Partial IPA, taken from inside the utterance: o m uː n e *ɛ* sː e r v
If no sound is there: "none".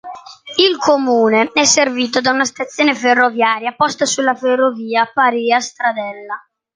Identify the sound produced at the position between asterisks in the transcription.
ɛ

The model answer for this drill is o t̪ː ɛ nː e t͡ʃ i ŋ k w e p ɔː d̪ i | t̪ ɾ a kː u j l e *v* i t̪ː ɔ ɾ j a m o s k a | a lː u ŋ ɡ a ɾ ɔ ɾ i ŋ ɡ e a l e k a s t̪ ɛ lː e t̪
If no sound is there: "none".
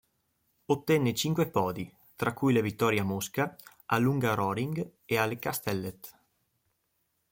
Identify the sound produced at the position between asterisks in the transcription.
v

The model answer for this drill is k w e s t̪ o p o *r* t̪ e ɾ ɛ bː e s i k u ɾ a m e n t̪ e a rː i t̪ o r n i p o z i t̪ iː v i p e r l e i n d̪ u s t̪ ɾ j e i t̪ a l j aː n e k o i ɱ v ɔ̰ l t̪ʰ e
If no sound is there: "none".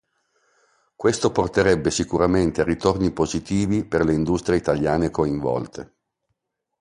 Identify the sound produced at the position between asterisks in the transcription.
r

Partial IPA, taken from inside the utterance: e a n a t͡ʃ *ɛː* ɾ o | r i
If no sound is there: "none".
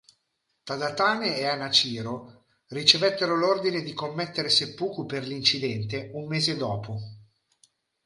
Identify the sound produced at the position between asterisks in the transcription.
iː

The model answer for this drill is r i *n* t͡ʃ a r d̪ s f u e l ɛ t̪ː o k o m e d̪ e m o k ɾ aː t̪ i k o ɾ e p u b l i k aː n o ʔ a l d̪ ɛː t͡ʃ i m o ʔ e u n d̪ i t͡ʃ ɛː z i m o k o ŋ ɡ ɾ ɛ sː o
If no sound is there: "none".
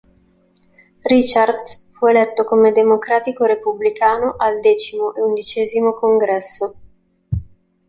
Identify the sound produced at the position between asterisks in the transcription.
none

